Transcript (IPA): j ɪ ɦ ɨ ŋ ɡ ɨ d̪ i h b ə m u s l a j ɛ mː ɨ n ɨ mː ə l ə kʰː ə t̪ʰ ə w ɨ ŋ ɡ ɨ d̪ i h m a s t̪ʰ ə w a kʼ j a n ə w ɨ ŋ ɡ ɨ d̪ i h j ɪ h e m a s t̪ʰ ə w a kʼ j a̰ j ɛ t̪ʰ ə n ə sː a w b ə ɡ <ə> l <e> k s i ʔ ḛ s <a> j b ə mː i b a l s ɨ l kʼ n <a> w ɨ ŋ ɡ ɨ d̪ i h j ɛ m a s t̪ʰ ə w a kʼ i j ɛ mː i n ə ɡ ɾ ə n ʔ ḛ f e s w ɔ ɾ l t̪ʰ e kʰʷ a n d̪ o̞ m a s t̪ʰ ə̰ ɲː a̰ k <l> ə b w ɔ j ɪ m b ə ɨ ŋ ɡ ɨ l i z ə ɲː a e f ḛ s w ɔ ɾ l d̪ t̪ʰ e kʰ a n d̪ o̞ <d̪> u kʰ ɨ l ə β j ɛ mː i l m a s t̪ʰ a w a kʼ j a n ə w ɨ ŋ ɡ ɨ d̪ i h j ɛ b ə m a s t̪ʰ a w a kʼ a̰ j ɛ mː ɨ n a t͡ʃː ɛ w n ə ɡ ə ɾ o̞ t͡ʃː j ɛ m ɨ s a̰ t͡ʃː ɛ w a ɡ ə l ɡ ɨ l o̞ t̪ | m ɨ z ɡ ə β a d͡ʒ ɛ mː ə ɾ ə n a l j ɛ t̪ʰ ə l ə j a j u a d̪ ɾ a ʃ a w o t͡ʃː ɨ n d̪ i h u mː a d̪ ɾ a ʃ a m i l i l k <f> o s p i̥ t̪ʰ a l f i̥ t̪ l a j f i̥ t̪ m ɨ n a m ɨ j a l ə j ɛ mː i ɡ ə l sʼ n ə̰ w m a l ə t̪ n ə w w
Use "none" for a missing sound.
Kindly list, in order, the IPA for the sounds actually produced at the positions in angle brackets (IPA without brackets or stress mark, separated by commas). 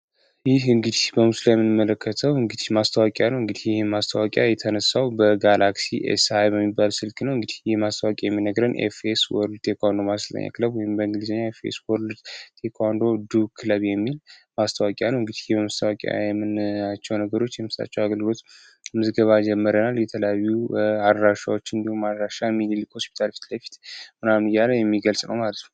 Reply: a, a, a, ə, l, d̪, h